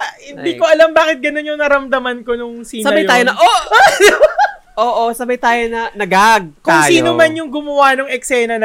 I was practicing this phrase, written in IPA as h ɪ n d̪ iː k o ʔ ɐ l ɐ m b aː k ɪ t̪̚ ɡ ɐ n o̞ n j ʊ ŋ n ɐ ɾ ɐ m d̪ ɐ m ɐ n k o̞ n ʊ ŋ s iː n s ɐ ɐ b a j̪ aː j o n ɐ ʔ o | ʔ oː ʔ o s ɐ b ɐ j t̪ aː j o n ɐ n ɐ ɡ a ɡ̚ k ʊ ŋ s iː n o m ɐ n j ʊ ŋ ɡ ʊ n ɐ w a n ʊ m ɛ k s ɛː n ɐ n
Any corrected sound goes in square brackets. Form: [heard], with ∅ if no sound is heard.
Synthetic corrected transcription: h ɪ n d̪ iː k o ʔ ɐ l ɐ m b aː k ɪ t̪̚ ɡ ɐ n o̞ n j ʊ ŋ n ɐ ɾ ɐ m d̪ ɐ m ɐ n k o̞ n ʊ ŋ s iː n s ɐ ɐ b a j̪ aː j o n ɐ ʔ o | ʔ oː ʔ o s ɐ b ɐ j t̪ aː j o n ɐ n ɐ ɡ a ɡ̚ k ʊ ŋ s iː n o m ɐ n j ʊ ŋ ɡ ʊ [m] ɐ w a n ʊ [ŋ] ɛ k s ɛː n ɐ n